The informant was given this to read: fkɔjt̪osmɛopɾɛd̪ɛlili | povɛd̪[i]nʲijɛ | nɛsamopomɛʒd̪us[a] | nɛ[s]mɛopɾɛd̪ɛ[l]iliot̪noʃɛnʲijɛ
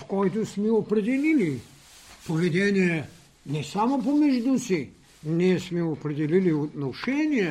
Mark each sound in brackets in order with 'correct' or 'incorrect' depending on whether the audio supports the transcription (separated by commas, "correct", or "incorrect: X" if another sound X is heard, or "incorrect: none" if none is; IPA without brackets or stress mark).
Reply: incorrect: ɛ, incorrect: i, correct, correct